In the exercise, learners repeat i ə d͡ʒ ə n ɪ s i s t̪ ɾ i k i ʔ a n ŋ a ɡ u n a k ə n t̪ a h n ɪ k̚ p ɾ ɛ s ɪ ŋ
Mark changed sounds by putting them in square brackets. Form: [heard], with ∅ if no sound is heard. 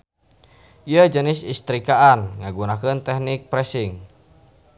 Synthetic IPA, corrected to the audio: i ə d͡ʒ ə n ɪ s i s t̪ ɾ i k [a] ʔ a n ŋ a ɡ u n a k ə n t̪ [ɛ] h n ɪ k̚ p ɾ ɛ s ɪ ŋ

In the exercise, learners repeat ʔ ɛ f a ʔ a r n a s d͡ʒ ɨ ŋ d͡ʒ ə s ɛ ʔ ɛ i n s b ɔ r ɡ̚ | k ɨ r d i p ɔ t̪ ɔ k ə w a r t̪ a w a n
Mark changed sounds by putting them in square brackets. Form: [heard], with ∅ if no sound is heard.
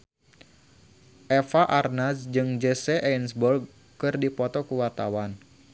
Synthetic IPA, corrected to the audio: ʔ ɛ f a ʔ a r n a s d͡ʒ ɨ ŋ d͡ʒ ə s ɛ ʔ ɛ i n s b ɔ r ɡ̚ | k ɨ r d i p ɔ t̪ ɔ k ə w a r t̪ a w a n

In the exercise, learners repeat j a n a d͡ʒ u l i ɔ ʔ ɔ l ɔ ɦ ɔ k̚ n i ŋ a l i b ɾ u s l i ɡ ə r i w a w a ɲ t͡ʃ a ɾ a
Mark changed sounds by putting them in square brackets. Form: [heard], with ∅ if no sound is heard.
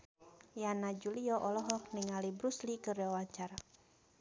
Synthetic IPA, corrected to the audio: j a n a d͡ʒ u l i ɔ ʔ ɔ l ɔ ɦ ɔ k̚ n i ŋ a l i b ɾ u s l i [k] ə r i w a w a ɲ t͡ʃ a ɾ a

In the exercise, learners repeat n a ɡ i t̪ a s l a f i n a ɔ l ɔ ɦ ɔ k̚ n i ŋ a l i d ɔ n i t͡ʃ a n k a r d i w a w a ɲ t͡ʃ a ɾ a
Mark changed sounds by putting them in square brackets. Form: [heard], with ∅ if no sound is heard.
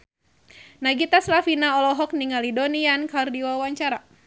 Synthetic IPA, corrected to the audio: n a ɡ i t̪ a s l a f i n a ɔ l ɔ ɦ ɔ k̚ n i ŋ a l i d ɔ n i [∅] a n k a r d i w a w a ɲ t͡ʃ a ɾ a

